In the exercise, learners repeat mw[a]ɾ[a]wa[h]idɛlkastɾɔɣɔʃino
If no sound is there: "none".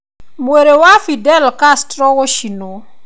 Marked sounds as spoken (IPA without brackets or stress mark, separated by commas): e, e, f